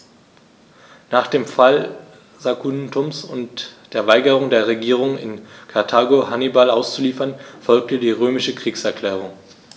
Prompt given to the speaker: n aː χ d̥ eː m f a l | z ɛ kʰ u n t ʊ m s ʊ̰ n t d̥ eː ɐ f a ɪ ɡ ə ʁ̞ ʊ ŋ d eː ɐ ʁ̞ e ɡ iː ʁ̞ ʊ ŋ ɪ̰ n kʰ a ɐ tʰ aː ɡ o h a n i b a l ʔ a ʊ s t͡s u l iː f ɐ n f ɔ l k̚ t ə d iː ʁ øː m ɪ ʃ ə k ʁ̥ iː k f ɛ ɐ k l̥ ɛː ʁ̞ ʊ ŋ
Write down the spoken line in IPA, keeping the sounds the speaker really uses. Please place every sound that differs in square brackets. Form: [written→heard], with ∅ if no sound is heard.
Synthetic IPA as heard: n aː χ d̥ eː m f a l | z [ɛ→a] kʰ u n t ʊ m s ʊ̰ n t d̥ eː ɐ [f→v] a ɪ ɡ ə ʁ̞ ʊ ŋ d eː ɐ ʁ̞ e ɡ iː ʁ̞ ʊ ŋ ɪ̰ n kʰ a ɐ tʰ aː ɡ o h a n i b a l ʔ a ʊ s t͡s u l iː f ɐ n f ɔ l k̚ t ə d iː ʁ øː m ɪ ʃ ə k ʁ̥ iː k [f→s] ɛ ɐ k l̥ ɛː ʁ̞ ʊ ŋ